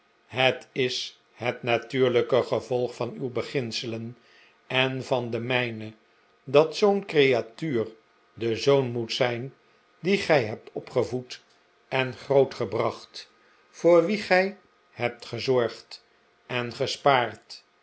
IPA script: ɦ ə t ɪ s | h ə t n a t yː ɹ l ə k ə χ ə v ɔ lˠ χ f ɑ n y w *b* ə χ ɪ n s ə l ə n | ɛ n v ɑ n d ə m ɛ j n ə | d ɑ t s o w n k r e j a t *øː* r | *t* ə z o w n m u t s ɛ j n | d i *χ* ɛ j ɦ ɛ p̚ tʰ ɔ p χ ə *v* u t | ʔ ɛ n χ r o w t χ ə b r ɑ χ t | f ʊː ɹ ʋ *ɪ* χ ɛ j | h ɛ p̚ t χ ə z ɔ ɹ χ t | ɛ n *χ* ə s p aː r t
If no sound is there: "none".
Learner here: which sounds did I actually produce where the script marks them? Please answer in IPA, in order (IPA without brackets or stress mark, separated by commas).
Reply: b, yː, d, χ, v, i, χ